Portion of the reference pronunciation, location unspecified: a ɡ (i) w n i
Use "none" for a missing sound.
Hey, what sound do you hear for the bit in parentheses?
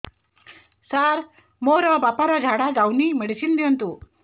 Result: a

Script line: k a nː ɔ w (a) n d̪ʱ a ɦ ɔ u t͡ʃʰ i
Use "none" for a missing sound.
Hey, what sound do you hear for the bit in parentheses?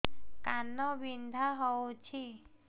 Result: i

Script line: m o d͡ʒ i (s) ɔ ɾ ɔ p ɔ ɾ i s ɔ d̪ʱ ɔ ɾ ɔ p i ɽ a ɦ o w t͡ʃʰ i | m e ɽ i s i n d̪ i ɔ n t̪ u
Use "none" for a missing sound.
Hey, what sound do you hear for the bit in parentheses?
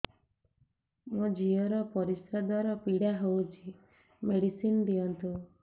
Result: none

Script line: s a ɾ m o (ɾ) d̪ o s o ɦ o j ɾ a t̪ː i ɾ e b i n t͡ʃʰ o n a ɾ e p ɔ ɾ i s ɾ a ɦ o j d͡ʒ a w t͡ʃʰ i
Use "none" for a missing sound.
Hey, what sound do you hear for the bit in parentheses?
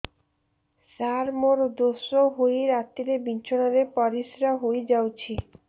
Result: ɾ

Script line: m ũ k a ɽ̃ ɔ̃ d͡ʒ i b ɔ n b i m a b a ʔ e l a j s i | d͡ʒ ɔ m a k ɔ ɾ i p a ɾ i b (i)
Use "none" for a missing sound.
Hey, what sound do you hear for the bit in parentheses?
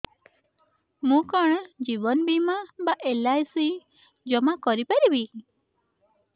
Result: i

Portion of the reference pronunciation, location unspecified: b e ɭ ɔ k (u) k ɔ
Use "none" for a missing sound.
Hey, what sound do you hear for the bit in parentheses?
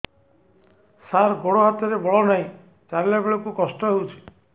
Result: u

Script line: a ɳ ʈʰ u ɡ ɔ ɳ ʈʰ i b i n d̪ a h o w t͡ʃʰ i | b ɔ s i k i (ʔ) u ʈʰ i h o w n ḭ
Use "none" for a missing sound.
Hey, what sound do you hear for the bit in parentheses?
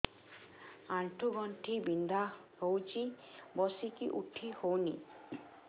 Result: ʔ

